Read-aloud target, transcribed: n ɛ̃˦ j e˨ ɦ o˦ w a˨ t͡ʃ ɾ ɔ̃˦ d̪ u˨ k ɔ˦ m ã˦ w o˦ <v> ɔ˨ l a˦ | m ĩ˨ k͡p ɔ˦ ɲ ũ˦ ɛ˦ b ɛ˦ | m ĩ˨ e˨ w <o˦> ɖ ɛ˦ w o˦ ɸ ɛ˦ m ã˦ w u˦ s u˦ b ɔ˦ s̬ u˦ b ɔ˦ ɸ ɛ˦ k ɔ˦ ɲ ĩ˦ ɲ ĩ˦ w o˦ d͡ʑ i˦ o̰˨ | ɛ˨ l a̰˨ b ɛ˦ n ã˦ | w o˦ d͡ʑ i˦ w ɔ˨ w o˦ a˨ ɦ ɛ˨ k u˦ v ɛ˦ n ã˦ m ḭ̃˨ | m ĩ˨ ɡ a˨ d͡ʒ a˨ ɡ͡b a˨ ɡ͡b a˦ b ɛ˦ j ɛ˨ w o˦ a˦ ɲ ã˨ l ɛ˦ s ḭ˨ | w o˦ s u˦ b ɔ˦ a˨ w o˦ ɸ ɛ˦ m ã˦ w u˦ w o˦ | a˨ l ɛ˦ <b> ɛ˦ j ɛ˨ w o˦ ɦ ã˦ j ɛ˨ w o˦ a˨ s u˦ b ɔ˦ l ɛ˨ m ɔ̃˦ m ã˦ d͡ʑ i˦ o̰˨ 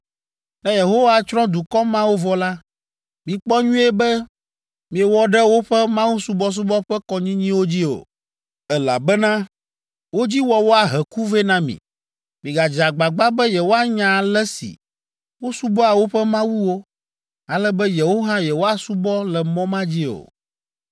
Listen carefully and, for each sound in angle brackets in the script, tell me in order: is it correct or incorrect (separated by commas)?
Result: correct, incorrect, correct